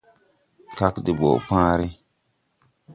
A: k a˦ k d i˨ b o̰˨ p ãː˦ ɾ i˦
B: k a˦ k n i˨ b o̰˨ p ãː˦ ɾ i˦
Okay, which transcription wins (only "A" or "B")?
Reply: A